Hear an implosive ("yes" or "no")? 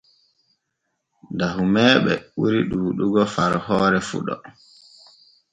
yes